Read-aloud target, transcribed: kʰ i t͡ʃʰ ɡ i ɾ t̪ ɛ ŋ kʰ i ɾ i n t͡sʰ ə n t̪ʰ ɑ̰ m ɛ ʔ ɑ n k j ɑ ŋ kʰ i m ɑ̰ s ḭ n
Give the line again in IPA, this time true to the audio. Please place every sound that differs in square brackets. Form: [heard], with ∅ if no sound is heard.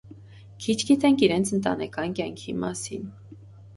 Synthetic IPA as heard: kʰ i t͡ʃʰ ɡ i [∅] t̪ ɛ ŋ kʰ i ɾ [ɛ] n t͡sʰ ə n [t̪] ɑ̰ [n] ɛ [k] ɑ n k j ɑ ŋ kʰ i m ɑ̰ s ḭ n